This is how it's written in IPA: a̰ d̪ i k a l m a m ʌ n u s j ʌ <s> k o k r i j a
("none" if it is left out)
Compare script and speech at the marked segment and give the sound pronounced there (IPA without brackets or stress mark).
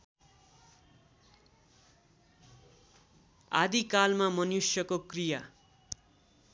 none